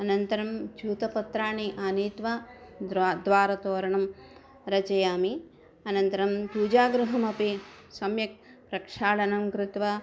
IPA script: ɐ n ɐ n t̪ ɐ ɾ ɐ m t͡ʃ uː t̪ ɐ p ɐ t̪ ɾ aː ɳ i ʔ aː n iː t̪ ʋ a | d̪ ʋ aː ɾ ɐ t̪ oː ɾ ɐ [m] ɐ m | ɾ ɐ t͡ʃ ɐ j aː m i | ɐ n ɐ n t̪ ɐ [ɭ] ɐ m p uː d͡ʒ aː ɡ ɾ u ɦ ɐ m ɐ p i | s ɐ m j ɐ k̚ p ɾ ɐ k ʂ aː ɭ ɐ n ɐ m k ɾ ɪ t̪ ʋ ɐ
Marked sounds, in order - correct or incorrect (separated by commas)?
incorrect, incorrect